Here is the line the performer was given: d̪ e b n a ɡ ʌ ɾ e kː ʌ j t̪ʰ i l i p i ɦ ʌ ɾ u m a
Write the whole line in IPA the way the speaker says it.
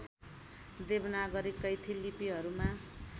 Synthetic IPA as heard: d̪ e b n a ɡ ʌ ɾ i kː ʌ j t̪ʰ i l i p i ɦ ʌ ɾ u m a